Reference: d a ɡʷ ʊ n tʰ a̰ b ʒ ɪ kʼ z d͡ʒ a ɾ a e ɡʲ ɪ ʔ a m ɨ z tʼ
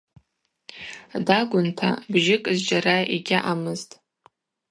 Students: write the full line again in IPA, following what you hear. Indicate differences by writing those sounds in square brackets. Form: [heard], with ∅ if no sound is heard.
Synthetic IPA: d a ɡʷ ʊ n tʰ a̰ b ʒ ɪ kʼ z d͡ʒ a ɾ a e ɡʲ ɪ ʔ a m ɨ z tʼ